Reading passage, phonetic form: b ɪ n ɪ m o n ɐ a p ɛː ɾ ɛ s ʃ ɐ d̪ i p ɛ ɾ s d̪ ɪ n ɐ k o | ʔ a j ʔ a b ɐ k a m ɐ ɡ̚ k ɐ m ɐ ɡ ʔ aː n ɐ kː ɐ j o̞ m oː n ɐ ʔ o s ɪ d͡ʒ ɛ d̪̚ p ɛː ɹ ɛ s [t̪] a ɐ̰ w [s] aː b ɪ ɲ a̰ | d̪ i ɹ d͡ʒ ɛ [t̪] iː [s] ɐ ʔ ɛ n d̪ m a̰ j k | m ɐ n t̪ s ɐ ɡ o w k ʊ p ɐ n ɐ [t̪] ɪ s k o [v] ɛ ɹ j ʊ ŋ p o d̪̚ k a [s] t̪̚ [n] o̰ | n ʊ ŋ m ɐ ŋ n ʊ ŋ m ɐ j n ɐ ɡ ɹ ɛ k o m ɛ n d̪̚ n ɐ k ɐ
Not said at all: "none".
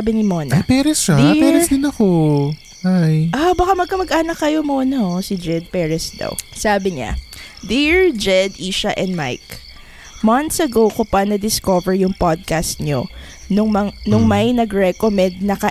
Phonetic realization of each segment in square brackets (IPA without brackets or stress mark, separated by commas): d̪, s, d̪, ʃ, d̪, v, s, ɲ